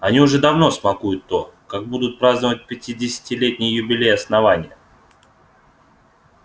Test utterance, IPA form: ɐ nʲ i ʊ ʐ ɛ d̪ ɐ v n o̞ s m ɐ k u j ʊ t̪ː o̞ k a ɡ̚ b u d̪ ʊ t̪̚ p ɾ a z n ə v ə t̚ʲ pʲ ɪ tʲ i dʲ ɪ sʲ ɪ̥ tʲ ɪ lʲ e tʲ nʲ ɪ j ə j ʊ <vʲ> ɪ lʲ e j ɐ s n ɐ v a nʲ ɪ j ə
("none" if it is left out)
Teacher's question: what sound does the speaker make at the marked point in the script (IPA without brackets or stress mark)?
bʲ